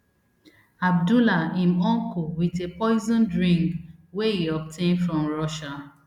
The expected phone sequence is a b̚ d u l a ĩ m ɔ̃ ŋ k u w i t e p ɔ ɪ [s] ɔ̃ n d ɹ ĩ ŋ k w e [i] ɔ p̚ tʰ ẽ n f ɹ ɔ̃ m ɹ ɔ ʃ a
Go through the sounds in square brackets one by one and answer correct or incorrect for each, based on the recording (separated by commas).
incorrect, correct